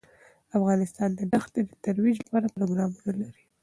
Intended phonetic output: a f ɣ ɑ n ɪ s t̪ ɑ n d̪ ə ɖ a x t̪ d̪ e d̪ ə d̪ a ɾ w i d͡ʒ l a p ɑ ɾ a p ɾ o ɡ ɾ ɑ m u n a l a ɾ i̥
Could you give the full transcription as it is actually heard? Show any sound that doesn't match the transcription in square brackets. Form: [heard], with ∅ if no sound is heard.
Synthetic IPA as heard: a f ɣ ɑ n ɪ s t̪ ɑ n d̪ ə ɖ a x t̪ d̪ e d̪ ə [t̪] a ɾ w i d͡ʒ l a p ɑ ɾ a p ɾ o ɡ ɾ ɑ m u n a l a ɾ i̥